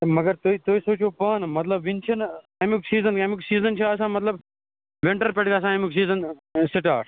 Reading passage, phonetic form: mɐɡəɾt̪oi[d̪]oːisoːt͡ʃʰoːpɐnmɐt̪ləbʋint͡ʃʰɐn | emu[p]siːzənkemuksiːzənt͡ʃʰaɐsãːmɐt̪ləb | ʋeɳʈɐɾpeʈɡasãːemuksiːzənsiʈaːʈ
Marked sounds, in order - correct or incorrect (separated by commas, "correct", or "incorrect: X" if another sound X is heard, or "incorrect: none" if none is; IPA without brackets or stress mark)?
incorrect: t̪, incorrect: k